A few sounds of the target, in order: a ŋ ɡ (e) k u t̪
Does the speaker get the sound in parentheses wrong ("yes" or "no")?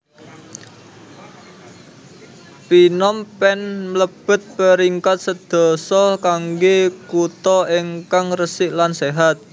no